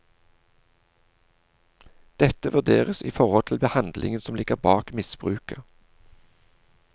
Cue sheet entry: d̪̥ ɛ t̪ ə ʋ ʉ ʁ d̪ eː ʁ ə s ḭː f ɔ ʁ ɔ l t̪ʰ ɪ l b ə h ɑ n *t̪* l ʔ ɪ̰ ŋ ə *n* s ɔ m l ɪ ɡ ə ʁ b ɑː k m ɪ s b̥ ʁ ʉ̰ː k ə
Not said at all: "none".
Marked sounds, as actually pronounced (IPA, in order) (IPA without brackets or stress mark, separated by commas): d̪, n